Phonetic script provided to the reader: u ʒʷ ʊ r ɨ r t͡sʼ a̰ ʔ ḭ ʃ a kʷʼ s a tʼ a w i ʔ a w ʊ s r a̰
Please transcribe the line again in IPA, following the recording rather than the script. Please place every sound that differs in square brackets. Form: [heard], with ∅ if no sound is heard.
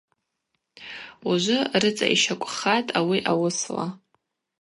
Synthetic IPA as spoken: u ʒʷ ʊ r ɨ [∅] t͡sʼ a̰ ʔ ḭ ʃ a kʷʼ [χ] a tʼ a w i ʔ a w ʊ s [l] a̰